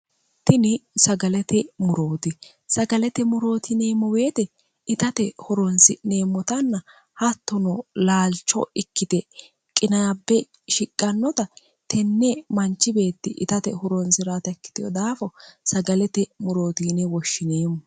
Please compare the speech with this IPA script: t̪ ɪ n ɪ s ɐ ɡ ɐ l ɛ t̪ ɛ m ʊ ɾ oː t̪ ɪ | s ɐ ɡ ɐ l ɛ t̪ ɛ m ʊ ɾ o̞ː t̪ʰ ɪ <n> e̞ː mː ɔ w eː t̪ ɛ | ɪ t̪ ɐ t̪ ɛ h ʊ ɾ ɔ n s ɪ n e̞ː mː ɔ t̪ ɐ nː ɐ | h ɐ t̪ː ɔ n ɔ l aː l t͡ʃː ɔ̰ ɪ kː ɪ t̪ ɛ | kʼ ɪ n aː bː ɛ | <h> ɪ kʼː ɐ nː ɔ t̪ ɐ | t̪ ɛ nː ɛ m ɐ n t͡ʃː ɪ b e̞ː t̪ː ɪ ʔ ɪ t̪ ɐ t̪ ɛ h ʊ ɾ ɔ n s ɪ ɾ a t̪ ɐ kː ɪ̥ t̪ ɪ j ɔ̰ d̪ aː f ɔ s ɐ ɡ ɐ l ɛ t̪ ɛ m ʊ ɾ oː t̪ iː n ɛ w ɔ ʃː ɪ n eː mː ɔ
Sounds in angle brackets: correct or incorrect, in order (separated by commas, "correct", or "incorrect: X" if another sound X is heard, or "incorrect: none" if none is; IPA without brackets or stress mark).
correct, incorrect: ʃ